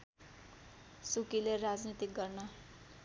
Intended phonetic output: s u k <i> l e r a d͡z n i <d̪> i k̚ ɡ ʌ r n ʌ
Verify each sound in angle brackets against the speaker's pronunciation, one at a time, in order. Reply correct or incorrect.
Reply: correct, incorrect

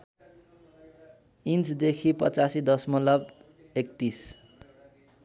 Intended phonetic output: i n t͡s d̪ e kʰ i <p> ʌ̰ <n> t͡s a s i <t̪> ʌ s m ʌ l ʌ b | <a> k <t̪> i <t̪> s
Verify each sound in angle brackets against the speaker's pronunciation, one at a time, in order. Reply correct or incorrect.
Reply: correct, incorrect, incorrect, incorrect, correct, incorrect

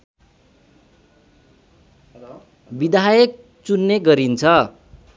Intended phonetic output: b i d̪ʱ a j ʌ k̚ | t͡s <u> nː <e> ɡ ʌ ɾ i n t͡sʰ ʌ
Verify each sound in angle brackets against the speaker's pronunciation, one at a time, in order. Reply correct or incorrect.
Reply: correct, correct

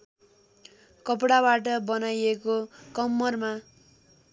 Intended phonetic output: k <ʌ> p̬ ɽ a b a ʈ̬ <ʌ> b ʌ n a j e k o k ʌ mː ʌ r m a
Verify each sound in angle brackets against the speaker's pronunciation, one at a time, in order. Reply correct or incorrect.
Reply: correct, correct

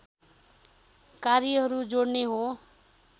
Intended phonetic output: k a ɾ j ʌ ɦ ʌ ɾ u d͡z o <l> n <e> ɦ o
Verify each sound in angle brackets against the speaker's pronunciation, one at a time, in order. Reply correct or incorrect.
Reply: incorrect, correct

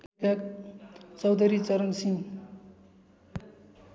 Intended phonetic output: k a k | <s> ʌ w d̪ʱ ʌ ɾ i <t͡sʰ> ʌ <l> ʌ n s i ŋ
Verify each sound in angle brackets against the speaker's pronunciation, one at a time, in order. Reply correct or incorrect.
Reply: incorrect, incorrect, incorrect

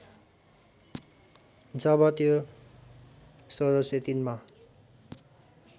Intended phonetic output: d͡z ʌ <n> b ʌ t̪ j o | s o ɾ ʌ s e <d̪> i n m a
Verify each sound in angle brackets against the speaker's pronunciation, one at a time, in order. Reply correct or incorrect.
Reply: incorrect, incorrect

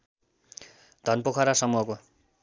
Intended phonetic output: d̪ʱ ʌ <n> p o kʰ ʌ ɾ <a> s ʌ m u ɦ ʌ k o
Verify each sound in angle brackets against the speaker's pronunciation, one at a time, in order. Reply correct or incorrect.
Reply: correct, correct

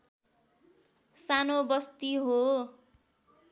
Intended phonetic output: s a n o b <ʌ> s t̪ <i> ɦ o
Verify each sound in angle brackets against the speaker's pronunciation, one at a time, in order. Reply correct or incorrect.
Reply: correct, correct

